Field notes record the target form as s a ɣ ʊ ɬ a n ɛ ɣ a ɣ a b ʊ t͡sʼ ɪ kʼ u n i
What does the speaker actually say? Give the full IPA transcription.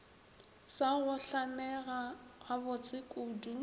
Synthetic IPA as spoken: s a ɣ ʊ ɬ a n ɛ ɣ a ɣ a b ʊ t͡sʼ ɪ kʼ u d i

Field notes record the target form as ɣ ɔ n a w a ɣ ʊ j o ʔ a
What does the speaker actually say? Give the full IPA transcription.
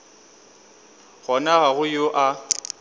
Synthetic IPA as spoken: ɣ ɔ n a ɣ a ɣ ʊ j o ʔ a

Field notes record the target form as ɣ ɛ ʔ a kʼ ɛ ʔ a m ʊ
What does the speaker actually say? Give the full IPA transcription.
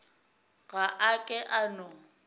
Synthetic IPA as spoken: ɣ a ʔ a kʼ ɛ ʔ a n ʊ

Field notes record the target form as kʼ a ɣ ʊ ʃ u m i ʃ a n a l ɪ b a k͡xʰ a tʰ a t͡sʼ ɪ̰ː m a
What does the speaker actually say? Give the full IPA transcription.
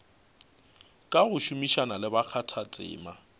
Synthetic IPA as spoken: kʼ a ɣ ʊ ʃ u m i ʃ a n a l ɪ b a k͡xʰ a tʰ a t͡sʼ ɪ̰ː m a

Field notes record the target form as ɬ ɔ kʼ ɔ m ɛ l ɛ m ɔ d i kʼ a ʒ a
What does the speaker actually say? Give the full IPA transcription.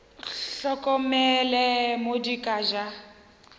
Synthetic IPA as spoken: ɬ ɔ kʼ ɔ m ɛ l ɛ m o d i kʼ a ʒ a

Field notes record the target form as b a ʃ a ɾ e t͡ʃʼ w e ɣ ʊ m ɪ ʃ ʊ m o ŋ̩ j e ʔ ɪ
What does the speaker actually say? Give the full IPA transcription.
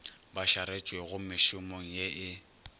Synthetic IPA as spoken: b a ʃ a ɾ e t͡ʃʼ w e ɣ ʊ m ɪ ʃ ʊ m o ŋ̩ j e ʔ ɪ

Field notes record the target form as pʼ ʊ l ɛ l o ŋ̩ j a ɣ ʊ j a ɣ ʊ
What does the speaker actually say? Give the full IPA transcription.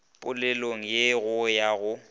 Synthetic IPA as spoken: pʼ ʊ l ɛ l o ŋ̩ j e ɣ ʊ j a ɣ ʊ

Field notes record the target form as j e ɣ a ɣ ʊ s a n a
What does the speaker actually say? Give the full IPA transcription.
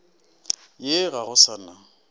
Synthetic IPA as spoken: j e ɣ a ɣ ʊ s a n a

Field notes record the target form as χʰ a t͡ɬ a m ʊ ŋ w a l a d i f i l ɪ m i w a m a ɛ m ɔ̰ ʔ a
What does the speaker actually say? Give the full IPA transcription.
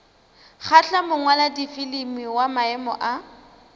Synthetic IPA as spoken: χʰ a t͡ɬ a m ʊ ŋ w a l a d i f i l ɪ m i w a m a ɛ m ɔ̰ ʔ a

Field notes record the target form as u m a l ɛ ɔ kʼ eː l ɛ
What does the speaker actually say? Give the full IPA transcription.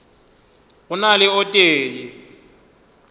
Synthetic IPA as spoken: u n a l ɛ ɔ tʼ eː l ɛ

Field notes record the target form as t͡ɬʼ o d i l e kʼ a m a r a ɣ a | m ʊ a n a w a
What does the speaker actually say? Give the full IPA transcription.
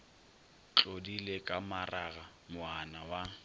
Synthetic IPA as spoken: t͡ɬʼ o d i l e kʼ a m a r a ɣ a | m ʊ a n a w a

